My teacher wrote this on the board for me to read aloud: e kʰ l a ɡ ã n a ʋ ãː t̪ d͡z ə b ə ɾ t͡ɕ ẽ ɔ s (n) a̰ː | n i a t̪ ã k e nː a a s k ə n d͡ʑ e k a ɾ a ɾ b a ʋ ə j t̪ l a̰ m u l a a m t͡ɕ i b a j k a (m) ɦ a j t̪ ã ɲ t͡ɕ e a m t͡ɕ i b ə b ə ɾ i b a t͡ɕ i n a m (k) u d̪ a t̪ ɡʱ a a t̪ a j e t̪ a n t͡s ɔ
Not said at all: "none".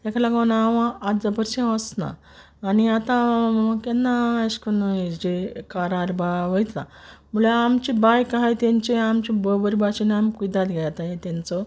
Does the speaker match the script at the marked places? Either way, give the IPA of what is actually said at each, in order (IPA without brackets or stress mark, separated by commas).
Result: n, none, k